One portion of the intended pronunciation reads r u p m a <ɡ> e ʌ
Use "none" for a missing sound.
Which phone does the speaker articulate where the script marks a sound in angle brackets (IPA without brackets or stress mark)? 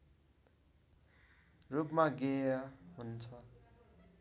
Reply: ɡ